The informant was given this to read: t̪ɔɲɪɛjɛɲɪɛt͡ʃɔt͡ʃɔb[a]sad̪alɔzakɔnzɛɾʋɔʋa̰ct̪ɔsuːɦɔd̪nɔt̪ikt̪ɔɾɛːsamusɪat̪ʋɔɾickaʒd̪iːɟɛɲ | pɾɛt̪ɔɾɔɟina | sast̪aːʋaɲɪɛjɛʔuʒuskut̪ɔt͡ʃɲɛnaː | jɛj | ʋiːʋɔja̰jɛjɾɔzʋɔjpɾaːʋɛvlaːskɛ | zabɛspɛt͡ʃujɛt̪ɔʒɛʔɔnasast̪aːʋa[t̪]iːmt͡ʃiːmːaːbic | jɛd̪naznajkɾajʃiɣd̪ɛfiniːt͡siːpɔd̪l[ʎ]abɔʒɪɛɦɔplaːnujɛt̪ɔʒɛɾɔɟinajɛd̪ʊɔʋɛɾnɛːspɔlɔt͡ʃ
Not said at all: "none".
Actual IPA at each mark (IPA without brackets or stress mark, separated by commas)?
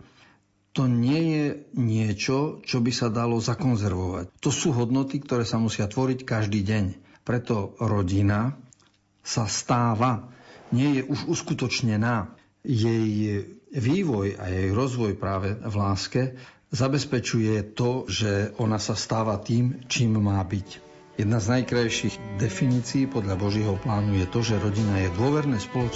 i, t̪, ʎ